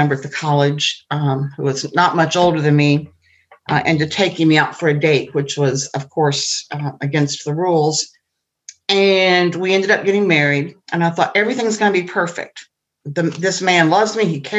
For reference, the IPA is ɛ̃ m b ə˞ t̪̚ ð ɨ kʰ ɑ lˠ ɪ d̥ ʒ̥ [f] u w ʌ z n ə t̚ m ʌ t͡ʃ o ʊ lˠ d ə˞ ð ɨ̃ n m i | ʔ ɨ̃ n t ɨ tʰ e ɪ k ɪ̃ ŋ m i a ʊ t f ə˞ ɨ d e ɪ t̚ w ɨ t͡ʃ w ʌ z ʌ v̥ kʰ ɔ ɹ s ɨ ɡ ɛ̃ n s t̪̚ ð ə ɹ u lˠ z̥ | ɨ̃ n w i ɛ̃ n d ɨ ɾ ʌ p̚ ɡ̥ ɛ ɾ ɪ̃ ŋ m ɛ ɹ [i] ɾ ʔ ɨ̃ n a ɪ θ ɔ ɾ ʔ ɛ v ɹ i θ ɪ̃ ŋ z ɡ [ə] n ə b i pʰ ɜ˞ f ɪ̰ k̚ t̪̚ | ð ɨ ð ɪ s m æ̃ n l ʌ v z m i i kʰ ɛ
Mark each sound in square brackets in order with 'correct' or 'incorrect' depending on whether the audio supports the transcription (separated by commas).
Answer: incorrect, correct, incorrect